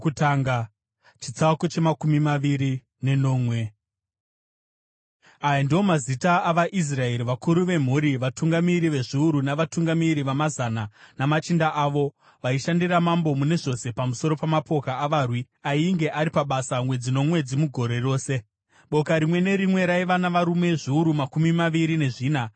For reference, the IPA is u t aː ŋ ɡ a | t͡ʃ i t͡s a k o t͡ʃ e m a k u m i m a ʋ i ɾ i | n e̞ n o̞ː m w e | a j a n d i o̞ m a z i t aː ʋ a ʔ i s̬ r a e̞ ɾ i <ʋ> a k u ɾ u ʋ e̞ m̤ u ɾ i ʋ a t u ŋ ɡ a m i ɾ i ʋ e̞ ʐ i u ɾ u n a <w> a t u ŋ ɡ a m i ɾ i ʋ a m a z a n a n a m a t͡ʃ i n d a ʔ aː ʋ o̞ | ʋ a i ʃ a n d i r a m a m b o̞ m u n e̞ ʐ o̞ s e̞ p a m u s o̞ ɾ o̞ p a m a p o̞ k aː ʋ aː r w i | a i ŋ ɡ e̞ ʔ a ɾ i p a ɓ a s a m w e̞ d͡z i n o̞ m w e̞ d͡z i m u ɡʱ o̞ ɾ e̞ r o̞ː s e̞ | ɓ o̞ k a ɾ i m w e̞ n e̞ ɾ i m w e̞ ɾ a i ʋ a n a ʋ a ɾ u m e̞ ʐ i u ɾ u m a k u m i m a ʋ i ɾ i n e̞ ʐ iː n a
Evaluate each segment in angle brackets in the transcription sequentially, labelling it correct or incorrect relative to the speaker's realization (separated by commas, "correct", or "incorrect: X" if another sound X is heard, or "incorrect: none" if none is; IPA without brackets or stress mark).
correct, incorrect: ʋ